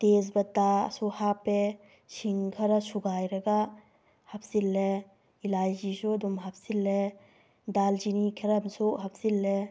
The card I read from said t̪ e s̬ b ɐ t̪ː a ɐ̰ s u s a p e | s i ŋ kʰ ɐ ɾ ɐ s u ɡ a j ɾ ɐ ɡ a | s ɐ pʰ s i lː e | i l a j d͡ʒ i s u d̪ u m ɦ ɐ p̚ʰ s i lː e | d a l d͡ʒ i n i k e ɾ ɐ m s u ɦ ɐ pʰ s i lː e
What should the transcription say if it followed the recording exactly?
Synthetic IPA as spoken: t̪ e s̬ b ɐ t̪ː a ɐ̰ s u h a p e | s i ŋ kʰ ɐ ɾ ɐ s u ɡ a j ɾ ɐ ɡ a | h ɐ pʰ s i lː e | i l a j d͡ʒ i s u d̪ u m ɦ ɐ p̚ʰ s i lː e | d a l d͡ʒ i n i kʰ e ɾ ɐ m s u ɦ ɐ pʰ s i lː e